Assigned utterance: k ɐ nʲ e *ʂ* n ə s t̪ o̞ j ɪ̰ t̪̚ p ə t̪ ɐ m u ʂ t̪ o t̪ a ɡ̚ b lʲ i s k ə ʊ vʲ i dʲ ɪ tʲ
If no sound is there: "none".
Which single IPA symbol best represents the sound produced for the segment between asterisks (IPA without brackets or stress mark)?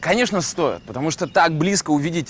ʂ